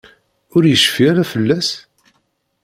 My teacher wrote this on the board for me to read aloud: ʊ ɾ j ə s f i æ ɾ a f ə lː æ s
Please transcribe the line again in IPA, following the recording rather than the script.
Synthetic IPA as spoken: ʊ ɾ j ə ʃ f i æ ɾ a f ə lː æ s